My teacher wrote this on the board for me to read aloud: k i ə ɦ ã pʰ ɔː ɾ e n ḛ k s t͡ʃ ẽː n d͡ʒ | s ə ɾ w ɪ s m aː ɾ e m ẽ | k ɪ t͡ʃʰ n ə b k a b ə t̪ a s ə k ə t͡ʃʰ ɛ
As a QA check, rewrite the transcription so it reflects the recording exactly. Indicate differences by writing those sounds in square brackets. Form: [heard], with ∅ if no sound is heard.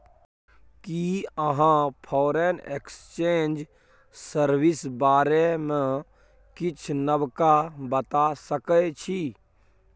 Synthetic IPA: k i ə ɦ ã pʰ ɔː ɾ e n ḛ k s t͡ʃ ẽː n d͡ʒ | s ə ɾ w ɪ s [b] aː ɾ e m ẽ | k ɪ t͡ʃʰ n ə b k a b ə t̪ a s ə k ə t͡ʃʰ [i]